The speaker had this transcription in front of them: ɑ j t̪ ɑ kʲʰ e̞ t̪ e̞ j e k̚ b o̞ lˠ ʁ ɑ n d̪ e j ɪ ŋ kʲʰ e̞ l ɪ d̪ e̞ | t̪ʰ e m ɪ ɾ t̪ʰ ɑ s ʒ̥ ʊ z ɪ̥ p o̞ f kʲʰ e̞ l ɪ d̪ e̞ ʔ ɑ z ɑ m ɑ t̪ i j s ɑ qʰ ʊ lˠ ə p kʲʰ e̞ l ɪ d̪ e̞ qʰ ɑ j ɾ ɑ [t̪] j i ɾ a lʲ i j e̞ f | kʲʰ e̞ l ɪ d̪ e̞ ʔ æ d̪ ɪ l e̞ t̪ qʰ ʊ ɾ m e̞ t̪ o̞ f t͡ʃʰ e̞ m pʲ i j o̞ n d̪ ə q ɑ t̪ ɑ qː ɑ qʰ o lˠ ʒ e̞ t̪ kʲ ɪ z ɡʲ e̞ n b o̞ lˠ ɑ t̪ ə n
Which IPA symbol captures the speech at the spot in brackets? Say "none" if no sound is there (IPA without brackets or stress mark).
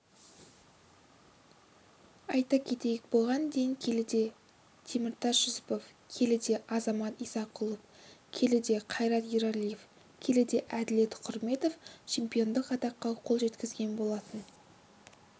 t̪